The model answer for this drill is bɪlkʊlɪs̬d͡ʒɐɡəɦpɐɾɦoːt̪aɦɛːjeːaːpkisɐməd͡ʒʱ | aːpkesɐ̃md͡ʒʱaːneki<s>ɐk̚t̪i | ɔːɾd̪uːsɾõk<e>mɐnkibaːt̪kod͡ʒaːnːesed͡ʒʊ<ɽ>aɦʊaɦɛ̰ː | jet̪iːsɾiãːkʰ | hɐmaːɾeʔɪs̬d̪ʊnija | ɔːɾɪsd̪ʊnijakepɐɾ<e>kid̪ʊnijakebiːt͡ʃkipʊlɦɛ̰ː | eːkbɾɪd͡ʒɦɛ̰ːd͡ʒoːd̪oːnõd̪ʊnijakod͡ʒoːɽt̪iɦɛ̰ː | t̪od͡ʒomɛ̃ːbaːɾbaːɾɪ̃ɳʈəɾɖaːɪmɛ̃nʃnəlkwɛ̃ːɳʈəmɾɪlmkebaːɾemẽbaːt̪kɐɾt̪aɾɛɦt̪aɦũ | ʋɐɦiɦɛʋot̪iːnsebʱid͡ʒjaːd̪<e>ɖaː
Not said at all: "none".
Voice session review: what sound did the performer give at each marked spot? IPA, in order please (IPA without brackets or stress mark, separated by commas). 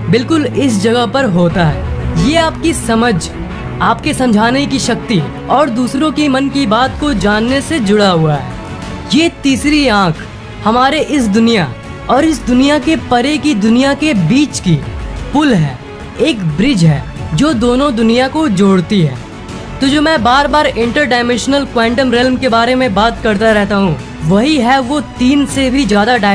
ʃ, i, ɽ, e, a